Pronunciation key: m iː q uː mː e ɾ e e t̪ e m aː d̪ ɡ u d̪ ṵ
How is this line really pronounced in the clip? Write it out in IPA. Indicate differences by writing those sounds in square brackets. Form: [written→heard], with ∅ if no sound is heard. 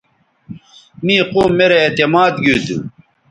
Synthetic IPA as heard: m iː q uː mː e ɾ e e t̪ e m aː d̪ ɡ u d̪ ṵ

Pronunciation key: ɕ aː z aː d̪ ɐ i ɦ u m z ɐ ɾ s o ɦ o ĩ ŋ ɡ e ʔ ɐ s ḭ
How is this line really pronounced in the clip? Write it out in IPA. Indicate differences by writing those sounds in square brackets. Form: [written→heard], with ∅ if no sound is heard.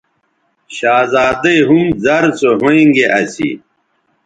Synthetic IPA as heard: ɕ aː z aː d̪ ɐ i ɦ u m z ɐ ɾ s o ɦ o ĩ ŋ ɡ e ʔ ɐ s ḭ

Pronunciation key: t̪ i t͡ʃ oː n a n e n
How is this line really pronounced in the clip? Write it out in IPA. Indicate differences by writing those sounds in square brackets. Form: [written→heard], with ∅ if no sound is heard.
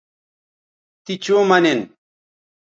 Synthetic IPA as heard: t̪ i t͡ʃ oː [n→m] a n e n

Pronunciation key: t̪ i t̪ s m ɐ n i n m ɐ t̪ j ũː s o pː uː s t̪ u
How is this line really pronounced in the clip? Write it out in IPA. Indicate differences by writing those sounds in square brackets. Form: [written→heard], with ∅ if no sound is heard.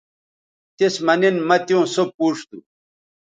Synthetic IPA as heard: t̪ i [t̪→∅] s m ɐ n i n m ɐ t̪ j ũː s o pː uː [s→ʂ] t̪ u

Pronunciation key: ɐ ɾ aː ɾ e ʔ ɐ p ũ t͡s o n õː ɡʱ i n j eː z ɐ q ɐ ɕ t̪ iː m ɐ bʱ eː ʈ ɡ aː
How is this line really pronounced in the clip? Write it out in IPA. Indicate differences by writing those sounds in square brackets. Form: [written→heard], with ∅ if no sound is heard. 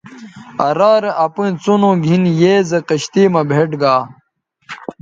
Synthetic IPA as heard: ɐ ɾ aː ɾ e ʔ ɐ p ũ t͡s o n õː ɡʱ i n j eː z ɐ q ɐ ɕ t̪ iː m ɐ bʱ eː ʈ ɡ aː

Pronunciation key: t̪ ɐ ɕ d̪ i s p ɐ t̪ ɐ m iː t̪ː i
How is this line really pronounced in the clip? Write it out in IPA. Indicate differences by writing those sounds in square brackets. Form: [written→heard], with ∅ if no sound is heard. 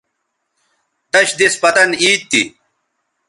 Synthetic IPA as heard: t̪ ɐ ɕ d̪ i s p ɐ t̪ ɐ [m→n] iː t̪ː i

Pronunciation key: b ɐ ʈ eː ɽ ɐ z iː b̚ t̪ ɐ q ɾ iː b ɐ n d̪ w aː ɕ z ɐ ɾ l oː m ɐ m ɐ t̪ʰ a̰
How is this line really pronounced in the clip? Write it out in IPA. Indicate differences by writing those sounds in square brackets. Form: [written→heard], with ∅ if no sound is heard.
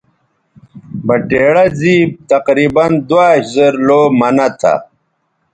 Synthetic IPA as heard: b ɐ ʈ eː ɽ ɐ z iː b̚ t̪ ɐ q ɾ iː b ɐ n d̪ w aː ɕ z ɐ ɾ l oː m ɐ [m→n] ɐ t̪ʰ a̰

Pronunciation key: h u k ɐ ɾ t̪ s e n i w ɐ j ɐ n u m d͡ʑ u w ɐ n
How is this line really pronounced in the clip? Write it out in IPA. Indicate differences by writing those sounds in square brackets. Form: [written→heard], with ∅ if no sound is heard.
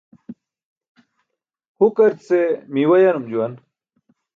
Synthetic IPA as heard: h u k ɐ ɾ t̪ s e [n→m] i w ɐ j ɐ n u m d͡ʑ u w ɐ n

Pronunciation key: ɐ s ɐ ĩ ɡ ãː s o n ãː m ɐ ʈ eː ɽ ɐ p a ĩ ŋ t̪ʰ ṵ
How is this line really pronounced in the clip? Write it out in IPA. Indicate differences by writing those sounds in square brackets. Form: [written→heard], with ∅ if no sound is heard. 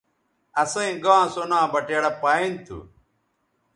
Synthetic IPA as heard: ɐ s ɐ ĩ ɡ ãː s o n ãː [m→b] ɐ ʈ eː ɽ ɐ p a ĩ [ŋ→n] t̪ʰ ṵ

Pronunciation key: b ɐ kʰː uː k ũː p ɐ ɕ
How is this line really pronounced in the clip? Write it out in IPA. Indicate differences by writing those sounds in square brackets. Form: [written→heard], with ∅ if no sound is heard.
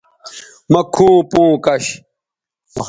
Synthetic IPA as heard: [b→m] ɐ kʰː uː [k→p] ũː [p→k] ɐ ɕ

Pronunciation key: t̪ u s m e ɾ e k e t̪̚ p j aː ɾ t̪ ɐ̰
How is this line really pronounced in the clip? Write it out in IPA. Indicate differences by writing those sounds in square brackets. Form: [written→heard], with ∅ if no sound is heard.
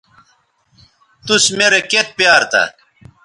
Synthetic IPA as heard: t̪ u s m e ɾ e k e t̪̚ p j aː ɾ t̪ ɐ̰

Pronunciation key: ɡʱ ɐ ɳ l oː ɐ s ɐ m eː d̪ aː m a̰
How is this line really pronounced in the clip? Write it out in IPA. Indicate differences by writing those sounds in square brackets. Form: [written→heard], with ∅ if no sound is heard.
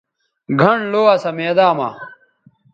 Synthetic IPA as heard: ɡʱ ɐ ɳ l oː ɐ s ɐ m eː d̪ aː m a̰

